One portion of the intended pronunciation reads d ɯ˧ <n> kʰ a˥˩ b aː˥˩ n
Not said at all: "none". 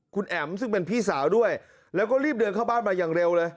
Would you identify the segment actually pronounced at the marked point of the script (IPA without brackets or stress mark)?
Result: n